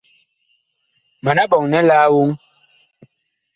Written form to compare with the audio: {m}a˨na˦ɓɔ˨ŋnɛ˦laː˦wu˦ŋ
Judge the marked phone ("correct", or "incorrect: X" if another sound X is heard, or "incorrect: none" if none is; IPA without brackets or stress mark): correct